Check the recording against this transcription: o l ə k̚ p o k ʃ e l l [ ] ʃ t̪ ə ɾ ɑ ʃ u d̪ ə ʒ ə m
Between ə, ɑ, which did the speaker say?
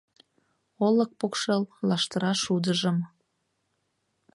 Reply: ɑ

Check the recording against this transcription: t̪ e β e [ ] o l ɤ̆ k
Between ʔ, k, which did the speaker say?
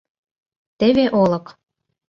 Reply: ʔ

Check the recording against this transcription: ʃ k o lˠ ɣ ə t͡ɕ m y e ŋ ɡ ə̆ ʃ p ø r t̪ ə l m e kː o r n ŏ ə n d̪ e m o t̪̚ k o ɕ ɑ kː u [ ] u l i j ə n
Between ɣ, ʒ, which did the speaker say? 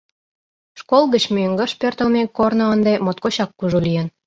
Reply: ʒ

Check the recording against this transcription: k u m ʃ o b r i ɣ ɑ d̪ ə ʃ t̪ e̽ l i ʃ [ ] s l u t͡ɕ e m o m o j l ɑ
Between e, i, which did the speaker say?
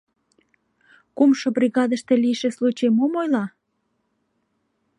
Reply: e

